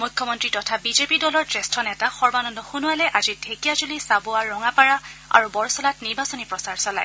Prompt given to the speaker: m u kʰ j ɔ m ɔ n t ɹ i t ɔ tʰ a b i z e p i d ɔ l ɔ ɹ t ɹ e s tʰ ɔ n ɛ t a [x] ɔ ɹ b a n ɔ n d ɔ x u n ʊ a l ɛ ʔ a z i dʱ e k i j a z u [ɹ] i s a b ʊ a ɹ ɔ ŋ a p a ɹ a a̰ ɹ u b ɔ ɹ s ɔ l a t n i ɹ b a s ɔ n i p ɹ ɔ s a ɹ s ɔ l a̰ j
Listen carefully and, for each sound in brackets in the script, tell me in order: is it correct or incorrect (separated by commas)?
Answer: correct, incorrect